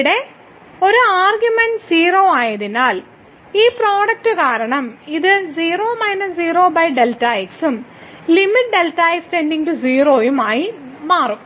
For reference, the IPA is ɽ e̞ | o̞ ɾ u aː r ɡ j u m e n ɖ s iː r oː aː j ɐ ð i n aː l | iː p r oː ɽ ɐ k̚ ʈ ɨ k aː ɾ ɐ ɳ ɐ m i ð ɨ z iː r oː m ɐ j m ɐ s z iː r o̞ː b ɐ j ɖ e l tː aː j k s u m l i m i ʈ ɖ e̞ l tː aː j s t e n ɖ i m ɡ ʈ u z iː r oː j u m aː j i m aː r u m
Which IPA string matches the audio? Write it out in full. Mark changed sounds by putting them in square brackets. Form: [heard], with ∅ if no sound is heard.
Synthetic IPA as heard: ɽ e̞ | o̞ ɾ u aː r ɡ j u m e n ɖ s iː r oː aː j ɐ ð i n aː l | iː p r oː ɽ ɐ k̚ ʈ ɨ k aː ɾ ɐ ɳ ɐ m i ð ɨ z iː r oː m ɐ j [n] ɐ s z iː r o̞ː b ɐ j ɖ e l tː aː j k s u m l i m i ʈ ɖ e̞ l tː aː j s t e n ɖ i [ŋ] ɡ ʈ u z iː r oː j u m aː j i m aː r u m